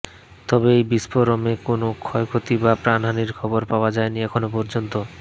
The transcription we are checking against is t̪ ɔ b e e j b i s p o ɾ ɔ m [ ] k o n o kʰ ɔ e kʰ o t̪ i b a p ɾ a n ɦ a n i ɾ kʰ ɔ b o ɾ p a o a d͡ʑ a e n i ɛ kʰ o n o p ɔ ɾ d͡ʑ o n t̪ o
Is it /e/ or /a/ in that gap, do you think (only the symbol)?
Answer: e